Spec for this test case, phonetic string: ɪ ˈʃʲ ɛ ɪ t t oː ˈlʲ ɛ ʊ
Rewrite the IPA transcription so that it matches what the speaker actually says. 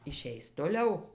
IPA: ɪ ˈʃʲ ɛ ɪ s t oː ˈlʲ ɛ ʊ